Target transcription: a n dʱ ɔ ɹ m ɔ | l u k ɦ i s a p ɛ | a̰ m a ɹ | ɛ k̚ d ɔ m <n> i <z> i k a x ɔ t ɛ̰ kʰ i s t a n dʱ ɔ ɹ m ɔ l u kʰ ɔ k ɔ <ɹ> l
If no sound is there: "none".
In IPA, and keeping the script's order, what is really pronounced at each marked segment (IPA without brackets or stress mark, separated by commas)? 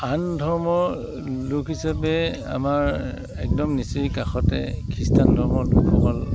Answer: n, s, none